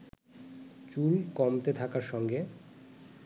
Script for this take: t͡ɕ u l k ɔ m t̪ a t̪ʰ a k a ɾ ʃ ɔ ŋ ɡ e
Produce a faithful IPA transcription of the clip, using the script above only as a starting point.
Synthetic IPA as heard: t͡ɕ u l k ɔ m t̪ e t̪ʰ a k a ɾ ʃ ɔ ŋ ɡ e